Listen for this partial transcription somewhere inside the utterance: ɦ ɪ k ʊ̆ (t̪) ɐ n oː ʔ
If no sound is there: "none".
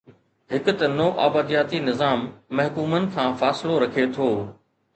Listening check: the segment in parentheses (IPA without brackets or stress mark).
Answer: t̪